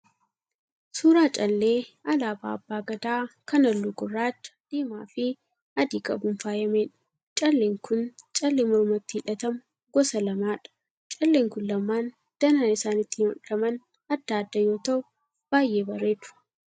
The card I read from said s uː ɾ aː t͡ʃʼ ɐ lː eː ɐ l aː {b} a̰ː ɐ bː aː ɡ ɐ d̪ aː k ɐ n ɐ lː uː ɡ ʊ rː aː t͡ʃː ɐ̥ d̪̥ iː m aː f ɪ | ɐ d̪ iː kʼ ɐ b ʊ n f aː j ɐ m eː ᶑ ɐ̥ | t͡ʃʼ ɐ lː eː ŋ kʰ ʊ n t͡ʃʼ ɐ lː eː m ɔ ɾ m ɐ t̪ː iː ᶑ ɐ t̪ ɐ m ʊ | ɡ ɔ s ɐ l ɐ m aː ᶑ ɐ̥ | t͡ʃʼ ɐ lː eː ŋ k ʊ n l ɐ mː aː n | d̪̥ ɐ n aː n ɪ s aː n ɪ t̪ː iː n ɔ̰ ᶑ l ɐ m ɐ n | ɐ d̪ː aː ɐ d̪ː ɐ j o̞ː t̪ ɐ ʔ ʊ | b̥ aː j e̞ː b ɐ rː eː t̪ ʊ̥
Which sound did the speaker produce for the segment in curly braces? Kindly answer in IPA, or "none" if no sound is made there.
b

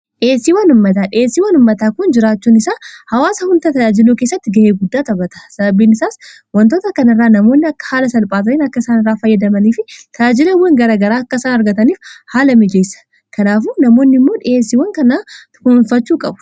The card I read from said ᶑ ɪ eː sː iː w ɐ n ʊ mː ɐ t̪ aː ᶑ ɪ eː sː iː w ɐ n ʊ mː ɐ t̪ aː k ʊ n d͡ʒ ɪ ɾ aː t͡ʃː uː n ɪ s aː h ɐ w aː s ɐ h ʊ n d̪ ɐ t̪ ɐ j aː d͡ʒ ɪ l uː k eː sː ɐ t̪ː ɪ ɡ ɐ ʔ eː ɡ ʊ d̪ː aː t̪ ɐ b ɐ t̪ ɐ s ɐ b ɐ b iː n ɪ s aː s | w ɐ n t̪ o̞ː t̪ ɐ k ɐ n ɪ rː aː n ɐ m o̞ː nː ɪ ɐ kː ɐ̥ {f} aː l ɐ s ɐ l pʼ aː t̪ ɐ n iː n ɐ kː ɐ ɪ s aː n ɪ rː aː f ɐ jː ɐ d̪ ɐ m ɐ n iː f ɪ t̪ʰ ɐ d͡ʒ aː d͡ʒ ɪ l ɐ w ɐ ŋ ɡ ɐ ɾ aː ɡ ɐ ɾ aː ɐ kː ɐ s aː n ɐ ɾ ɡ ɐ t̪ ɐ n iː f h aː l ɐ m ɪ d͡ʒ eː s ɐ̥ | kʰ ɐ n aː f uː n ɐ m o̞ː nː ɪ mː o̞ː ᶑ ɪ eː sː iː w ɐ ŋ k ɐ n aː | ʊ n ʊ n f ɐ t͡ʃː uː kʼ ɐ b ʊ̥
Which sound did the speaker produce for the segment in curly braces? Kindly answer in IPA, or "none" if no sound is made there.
h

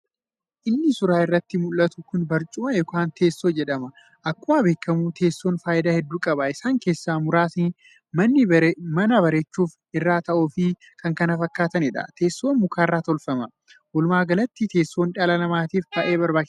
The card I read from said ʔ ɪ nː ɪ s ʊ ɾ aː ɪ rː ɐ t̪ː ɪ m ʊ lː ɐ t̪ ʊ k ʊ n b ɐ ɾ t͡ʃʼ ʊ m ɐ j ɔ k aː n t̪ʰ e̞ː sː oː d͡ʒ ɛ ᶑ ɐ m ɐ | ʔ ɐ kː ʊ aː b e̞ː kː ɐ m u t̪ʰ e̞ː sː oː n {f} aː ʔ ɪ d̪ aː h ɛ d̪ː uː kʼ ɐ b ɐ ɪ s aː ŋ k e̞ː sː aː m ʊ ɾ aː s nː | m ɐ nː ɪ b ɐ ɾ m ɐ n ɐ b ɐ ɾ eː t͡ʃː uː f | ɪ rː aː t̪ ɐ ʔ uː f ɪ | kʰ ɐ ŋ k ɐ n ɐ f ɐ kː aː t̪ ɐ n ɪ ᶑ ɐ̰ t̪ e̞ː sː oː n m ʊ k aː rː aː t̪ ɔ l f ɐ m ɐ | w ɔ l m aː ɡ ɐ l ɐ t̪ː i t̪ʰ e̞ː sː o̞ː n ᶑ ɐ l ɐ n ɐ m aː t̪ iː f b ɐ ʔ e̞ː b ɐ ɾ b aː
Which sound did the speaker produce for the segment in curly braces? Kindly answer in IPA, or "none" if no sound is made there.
f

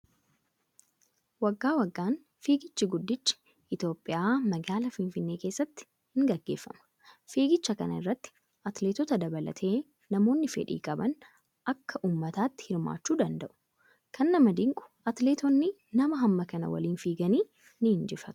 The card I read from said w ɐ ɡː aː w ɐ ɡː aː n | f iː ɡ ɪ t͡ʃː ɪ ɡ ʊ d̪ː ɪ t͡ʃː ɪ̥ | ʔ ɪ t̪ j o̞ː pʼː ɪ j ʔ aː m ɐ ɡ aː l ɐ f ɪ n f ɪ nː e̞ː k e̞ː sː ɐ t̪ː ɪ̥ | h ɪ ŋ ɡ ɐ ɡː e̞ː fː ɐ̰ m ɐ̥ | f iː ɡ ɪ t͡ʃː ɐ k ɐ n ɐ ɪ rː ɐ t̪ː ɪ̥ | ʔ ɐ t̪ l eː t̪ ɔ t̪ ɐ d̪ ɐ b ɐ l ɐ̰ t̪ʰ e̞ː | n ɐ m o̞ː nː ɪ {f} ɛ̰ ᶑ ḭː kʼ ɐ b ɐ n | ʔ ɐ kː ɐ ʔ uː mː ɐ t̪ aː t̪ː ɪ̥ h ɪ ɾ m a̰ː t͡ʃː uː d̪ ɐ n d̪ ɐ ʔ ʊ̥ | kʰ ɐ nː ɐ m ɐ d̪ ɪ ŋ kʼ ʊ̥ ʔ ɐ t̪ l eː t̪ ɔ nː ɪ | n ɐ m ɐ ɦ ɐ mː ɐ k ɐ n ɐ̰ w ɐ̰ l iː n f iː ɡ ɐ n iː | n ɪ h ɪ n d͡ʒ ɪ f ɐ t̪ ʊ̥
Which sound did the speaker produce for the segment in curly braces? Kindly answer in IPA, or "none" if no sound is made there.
f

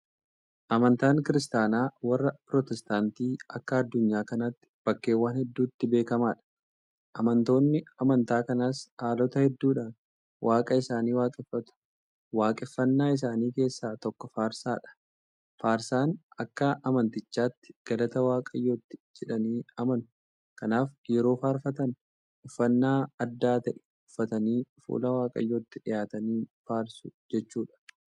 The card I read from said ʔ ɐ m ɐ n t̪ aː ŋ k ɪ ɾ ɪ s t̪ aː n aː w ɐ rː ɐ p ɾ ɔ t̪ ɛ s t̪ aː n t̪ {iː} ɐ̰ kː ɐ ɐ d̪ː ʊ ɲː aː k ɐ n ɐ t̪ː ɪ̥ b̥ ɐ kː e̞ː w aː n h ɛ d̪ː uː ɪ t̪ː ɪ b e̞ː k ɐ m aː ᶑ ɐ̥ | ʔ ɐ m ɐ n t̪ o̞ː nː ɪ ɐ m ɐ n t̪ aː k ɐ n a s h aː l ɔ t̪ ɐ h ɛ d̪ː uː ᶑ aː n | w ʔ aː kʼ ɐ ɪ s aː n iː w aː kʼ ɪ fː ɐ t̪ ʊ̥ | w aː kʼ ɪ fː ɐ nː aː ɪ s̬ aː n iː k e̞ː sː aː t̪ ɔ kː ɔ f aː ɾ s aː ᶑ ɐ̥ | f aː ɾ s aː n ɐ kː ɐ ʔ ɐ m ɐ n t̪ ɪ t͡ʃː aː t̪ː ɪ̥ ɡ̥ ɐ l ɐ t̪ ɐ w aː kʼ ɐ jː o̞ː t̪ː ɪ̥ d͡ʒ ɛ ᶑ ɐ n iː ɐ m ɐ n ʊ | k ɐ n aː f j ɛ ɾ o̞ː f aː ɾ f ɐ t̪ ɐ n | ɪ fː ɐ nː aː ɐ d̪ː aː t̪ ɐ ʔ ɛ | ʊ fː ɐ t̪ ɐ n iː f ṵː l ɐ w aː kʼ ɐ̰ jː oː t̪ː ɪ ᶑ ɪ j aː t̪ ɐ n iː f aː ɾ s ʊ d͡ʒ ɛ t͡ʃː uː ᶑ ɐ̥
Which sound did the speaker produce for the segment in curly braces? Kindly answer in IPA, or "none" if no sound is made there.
iː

